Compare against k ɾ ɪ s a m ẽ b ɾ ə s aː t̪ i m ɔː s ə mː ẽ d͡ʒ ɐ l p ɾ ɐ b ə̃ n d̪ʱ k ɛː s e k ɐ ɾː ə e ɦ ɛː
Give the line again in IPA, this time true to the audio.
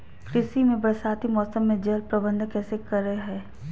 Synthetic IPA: k ɾ ɪ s i m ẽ b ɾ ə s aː t̪ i m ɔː s ə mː ẽ d͡ʒ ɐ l p ɾ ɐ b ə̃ n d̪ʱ k ɛː s e k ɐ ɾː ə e ɦ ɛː